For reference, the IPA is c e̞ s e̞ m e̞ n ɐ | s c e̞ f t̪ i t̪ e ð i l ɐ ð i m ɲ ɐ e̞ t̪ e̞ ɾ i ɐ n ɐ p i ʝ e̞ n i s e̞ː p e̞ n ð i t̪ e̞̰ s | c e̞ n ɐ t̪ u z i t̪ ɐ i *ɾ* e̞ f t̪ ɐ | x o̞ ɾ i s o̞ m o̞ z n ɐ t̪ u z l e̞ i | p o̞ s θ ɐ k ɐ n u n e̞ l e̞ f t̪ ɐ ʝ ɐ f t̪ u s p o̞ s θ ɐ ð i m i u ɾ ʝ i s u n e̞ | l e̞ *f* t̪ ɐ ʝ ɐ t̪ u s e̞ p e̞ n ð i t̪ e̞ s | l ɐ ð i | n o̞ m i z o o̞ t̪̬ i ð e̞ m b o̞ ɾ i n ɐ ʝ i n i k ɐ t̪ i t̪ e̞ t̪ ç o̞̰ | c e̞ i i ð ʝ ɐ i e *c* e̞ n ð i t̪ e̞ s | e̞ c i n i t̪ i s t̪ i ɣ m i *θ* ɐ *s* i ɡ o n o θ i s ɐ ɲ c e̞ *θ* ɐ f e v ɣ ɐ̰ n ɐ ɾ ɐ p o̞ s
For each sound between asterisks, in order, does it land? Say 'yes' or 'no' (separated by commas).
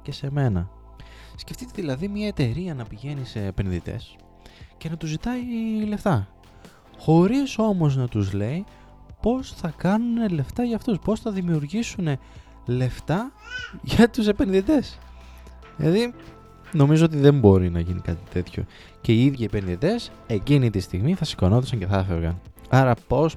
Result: no, yes, no, yes, yes, yes